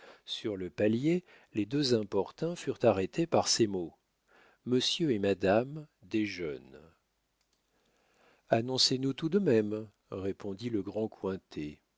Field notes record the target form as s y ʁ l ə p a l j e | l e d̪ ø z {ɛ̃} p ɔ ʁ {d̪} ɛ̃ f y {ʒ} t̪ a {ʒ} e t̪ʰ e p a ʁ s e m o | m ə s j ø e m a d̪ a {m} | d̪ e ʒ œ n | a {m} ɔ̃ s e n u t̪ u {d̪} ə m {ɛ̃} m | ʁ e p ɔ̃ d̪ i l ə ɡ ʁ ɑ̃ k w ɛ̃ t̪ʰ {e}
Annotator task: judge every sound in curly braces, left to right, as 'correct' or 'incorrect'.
correct, incorrect: t̪, incorrect: ʁ, incorrect: ʁ, correct, incorrect: n, correct, incorrect: ɛ, correct

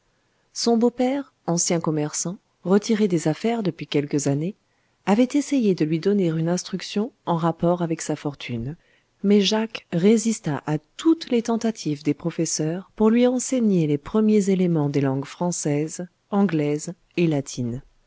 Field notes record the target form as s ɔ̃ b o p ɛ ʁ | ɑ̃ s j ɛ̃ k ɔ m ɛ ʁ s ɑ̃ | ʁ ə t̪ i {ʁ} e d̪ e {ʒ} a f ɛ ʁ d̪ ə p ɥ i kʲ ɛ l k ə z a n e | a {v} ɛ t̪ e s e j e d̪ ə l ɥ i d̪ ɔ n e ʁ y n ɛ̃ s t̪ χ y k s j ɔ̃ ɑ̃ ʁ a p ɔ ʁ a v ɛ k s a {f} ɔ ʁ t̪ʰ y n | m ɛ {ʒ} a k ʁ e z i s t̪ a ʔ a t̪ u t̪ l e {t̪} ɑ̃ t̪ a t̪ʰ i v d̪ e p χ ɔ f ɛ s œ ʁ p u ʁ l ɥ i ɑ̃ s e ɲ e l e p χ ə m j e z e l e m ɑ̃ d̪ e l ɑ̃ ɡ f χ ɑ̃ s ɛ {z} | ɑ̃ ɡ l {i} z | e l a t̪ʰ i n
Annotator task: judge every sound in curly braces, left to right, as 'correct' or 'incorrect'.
correct, incorrect: z, correct, correct, correct, correct, correct, incorrect: ɛ

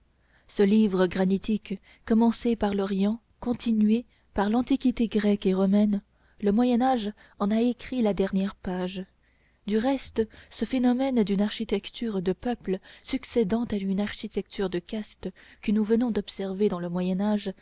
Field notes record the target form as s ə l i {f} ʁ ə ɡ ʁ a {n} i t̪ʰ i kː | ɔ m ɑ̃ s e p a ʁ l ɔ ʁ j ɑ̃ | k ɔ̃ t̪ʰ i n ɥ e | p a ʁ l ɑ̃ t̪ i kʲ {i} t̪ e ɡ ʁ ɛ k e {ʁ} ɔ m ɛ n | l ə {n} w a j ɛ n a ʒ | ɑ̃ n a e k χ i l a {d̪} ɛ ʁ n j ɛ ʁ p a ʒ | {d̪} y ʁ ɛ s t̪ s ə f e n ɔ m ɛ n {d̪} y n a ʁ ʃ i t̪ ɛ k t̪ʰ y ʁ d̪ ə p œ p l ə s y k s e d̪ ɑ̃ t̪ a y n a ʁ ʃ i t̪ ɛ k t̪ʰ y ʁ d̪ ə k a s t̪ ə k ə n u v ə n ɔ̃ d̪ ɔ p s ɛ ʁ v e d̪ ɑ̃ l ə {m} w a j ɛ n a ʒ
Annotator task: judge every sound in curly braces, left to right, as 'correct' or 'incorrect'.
incorrect: v, correct, correct, correct, incorrect: m, correct, correct, correct, correct

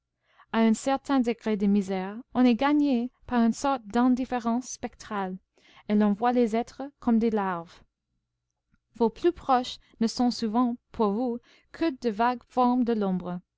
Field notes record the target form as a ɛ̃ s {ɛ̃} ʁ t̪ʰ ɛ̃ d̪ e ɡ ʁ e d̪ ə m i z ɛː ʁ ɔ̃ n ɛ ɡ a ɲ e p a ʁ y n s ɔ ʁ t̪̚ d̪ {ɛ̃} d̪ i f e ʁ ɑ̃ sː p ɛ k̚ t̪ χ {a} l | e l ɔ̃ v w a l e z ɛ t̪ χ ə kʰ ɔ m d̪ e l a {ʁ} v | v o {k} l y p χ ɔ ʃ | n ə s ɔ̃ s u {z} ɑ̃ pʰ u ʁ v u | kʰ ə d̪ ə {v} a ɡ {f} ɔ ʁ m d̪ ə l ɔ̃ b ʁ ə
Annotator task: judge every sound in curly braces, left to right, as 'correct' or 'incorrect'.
incorrect: ɛ, correct, correct, correct, incorrect: p, incorrect: v, correct, correct

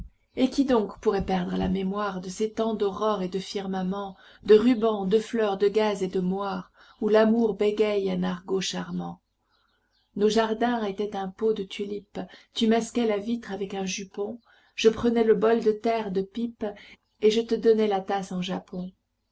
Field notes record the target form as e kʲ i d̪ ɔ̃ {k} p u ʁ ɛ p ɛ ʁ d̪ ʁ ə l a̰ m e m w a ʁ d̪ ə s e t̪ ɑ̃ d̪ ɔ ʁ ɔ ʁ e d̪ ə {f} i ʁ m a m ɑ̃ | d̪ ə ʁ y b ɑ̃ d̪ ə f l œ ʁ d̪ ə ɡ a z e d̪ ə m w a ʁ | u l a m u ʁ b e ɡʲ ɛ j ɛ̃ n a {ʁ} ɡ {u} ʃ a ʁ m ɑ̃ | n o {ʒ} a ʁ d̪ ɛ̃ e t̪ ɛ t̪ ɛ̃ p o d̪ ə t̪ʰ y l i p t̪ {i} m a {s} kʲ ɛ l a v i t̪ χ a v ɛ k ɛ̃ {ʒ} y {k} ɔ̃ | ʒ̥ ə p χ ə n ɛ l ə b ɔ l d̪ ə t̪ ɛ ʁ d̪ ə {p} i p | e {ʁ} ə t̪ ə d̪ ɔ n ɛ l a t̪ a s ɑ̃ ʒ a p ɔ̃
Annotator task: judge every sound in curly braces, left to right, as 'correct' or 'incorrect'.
correct, correct, correct, incorrect: o, correct, incorrect: y, correct, correct, incorrect: p, correct, incorrect: ʒ

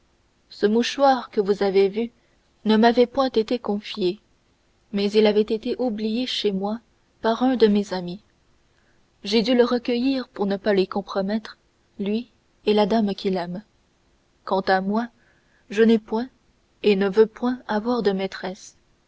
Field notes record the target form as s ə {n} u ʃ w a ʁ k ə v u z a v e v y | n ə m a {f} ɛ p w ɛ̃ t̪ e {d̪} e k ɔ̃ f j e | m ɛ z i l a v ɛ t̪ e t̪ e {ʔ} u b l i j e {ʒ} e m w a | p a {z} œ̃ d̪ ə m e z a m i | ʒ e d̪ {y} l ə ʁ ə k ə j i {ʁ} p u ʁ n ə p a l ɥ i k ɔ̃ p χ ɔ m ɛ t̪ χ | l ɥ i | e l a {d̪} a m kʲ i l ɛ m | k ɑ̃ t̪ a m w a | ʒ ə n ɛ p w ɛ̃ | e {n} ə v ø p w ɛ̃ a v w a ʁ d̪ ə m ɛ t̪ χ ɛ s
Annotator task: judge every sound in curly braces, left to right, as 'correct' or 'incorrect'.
incorrect: m, incorrect: v, incorrect: t̪, correct, incorrect: ʃ, incorrect: ʁ, correct, correct, correct, correct

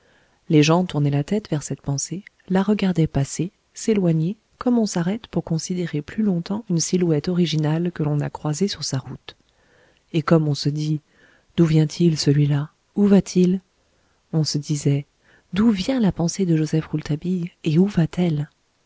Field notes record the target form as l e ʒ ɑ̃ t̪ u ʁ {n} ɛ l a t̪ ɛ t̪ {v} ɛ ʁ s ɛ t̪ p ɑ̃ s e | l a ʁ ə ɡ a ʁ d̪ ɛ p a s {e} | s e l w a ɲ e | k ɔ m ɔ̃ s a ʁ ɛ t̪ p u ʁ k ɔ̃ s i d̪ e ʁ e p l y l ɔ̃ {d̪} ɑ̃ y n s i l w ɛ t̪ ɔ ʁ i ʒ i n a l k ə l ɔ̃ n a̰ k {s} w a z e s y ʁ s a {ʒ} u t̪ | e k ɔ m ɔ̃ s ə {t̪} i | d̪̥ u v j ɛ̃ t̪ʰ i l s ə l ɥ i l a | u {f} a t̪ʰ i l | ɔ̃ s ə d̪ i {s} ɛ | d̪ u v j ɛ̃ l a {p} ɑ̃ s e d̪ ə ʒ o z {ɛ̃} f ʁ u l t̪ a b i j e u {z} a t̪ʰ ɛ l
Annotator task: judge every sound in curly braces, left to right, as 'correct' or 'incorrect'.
correct, correct, correct, incorrect: t̪, incorrect: χ, incorrect: ʁ, incorrect: d̪, incorrect: v, incorrect: z, correct, incorrect: ɛ, incorrect: v

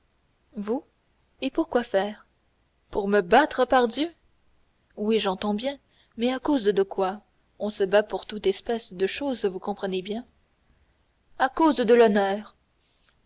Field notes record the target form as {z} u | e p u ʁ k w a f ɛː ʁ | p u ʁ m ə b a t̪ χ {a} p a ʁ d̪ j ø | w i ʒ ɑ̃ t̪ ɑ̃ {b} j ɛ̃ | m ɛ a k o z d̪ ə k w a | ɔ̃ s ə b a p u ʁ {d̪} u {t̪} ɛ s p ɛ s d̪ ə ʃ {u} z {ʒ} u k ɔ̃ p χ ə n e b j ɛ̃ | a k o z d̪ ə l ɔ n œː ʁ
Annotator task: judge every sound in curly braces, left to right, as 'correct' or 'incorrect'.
incorrect: v, incorrect: ə, correct, incorrect: t̪, correct, incorrect: o, incorrect: v

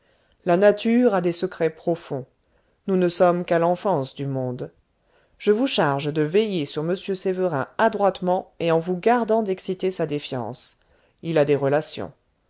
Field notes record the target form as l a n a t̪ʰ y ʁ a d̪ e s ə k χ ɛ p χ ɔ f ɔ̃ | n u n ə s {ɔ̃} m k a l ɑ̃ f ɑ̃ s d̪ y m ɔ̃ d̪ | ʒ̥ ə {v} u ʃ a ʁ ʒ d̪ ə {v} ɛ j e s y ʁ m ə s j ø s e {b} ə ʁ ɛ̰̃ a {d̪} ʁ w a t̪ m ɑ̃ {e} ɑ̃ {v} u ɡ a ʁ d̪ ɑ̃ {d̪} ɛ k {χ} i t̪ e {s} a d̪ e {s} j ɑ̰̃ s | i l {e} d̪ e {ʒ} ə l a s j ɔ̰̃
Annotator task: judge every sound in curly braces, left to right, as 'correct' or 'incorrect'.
incorrect: ɔ, correct, correct, incorrect: v, correct, correct, correct, correct, incorrect: s, correct, incorrect: f, incorrect: a, incorrect: ʁ

